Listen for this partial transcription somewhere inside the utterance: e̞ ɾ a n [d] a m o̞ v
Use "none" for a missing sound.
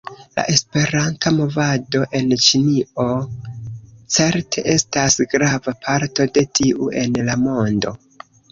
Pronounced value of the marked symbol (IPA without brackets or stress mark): t